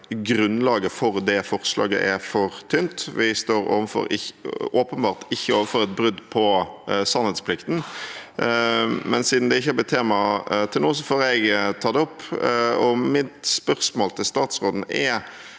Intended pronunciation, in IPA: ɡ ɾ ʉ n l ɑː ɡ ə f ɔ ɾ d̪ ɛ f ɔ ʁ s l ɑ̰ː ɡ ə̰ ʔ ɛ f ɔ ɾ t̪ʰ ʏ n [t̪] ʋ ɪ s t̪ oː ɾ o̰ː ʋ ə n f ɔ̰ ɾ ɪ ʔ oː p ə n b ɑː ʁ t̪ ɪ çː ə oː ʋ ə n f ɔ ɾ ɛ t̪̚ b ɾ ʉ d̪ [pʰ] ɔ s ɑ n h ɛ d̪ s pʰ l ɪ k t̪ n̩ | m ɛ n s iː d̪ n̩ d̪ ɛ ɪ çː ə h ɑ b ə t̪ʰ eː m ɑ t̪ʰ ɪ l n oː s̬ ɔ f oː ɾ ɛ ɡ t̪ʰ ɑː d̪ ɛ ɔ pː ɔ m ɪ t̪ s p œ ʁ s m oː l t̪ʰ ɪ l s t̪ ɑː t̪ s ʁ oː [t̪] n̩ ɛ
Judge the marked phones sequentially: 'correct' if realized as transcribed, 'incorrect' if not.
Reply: correct, correct, incorrect: d̪

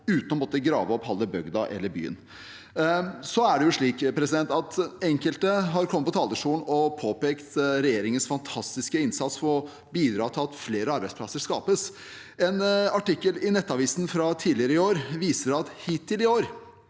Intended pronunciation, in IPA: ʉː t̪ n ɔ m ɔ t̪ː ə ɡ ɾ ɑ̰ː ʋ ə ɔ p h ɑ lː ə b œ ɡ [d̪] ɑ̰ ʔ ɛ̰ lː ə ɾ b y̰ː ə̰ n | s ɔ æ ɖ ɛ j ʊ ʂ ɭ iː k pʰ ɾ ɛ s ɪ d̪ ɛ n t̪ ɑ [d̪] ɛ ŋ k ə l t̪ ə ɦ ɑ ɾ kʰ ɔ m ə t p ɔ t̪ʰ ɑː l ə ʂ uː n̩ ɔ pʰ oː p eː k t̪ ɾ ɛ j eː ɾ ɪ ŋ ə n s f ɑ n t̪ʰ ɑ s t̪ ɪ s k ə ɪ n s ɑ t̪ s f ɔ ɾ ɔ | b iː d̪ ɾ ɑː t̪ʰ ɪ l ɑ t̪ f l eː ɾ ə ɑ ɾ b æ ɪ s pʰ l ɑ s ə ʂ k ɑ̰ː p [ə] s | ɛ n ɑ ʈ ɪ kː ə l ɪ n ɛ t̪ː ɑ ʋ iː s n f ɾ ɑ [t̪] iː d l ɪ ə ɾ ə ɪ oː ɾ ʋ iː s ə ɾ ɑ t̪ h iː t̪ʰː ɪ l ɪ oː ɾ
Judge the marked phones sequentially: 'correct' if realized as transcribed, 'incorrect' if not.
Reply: correct, incorrect: t̪, correct, incorrect: t̪ʰ

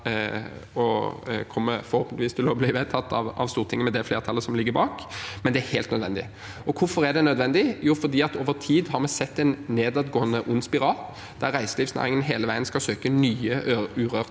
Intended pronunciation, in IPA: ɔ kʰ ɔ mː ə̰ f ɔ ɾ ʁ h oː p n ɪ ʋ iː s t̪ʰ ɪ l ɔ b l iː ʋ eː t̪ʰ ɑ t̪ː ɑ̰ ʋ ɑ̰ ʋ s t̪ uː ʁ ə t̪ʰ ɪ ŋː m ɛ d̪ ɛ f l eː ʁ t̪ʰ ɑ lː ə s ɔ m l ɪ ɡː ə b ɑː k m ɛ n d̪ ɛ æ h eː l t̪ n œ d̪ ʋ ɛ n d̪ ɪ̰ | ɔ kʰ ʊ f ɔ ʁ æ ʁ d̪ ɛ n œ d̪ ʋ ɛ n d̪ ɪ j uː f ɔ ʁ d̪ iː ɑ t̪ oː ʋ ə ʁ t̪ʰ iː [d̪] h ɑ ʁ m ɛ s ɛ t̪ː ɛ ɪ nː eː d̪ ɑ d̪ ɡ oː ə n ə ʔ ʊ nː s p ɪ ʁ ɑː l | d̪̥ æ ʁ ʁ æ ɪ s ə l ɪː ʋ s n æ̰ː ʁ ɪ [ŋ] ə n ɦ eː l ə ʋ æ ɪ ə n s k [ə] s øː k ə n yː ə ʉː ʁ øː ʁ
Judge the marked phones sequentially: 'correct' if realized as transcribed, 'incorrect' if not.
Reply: correct, correct, incorrect: ɑ

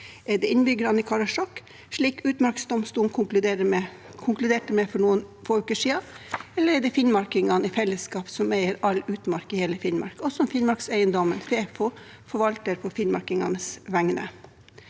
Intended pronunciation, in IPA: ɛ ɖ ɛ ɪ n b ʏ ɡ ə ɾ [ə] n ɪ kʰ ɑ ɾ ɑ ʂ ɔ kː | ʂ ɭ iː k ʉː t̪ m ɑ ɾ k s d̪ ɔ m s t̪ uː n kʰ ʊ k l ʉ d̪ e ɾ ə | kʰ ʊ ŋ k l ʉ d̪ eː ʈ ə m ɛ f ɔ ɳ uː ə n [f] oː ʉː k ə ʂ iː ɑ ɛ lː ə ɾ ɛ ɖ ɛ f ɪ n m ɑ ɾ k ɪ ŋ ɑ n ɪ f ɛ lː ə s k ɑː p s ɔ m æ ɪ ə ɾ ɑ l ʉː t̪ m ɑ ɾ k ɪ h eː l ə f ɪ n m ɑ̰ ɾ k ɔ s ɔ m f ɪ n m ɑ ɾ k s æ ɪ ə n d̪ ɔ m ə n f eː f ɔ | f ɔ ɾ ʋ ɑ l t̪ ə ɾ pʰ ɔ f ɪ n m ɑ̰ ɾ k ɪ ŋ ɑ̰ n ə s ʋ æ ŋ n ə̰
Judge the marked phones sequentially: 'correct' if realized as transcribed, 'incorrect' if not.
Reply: incorrect: ɑ, correct

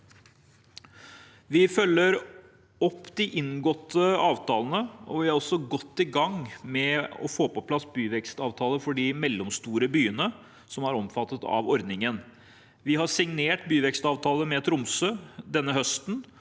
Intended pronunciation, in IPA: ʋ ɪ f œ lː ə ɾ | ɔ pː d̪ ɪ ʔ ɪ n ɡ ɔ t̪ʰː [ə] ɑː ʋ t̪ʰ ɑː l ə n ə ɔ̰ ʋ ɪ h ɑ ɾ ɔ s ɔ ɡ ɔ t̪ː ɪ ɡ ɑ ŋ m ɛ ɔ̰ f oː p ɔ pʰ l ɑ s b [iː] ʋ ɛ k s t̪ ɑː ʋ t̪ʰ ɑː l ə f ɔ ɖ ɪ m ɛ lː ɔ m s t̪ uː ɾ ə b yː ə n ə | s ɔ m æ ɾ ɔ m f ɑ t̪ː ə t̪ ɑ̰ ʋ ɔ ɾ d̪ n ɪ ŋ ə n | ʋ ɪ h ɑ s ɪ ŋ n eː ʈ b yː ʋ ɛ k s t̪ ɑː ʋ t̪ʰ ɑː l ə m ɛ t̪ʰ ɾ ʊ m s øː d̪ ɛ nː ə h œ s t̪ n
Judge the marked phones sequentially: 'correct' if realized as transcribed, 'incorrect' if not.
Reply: correct, incorrect: yː

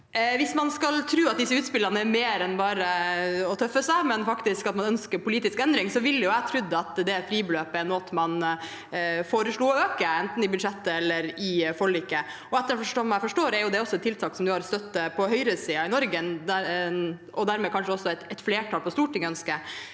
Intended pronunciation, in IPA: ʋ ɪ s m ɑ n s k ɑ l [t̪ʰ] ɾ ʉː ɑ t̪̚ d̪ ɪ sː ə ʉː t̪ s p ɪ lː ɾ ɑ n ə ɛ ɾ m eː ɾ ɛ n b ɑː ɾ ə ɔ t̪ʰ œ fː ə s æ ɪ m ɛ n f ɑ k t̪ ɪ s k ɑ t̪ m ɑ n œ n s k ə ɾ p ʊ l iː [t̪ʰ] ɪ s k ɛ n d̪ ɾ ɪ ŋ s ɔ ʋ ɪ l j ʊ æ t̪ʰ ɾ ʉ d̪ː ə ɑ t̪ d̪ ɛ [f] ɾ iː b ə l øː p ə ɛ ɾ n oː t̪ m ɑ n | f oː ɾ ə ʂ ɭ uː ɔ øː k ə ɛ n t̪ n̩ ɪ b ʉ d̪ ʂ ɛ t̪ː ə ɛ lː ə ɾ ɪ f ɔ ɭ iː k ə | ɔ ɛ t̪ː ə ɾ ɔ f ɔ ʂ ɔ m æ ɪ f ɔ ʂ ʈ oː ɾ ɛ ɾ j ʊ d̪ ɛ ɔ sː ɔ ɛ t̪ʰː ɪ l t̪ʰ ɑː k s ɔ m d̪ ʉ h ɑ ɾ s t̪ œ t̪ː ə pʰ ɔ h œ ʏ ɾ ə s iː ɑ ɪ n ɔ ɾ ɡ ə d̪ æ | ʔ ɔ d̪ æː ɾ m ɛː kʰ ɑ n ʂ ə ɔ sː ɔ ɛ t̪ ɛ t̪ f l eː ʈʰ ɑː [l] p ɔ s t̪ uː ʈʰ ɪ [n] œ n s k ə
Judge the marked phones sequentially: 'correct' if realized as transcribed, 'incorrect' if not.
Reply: correct, incorrect: t̪, correct, correct, incorrect: ŋ

